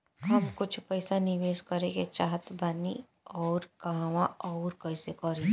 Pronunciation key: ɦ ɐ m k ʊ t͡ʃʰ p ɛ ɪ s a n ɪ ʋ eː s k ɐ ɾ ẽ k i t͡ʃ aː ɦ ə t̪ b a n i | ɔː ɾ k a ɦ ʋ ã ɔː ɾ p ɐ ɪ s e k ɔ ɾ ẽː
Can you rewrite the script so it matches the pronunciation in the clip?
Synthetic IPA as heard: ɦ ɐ m k ʊ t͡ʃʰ p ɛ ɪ s a n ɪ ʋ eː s k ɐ ɾ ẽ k e t͡ʃ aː ɦ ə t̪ b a n i | ɔː ɾ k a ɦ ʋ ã ɔː ɾ k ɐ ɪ s e k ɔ ɾ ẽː